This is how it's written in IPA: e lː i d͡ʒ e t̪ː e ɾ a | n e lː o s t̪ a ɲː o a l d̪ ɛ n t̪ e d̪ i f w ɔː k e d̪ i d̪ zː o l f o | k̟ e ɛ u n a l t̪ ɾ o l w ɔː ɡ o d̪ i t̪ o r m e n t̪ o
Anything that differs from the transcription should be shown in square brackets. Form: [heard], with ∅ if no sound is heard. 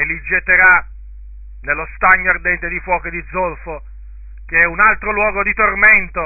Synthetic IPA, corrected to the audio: e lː i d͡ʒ e t̪ː e ɾ a | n e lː o s t̪ a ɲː o a [r] d̪ ɛ n t̪ e d̪ i f w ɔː k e d̪ i d̪ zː o l f o | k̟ e ɛ u n a l t̪ ɾ o l w ɔː ɡ o d̪ i t̪ o r m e n t̪ o